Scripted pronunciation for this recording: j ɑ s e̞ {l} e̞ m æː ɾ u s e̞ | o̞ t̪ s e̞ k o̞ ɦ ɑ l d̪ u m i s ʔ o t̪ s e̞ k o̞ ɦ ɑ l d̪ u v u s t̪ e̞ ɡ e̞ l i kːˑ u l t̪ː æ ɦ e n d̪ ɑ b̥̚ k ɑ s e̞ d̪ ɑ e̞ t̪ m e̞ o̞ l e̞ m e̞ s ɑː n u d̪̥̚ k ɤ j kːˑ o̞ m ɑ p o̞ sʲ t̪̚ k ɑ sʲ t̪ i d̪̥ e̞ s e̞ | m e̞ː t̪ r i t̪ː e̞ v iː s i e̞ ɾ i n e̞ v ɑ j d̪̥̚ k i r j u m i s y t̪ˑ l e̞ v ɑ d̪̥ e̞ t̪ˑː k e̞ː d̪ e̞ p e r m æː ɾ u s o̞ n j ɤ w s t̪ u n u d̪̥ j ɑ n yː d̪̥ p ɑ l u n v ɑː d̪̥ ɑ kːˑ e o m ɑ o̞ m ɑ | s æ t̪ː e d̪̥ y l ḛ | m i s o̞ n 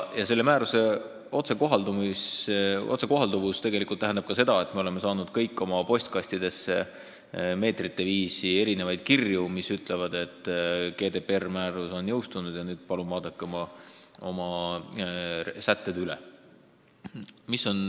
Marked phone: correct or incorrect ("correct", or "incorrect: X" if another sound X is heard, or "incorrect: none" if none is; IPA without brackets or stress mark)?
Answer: incorrect: lː